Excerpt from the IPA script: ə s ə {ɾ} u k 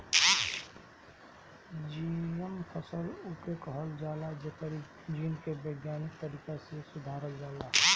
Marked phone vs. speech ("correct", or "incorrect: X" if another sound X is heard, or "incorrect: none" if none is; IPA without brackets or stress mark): incorrect: l